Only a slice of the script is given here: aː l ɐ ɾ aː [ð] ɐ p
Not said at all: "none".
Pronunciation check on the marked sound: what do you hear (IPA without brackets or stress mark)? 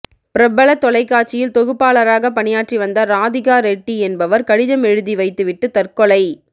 ɣ